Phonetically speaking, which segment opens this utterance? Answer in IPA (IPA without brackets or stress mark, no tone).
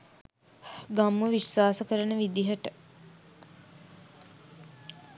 ɡ